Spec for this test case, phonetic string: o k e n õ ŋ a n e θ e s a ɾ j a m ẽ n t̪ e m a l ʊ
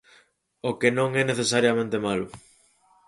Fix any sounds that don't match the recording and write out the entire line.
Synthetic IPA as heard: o k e n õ ŋ ɛ n e θ e s a ɾ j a m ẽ n t̪ e m a l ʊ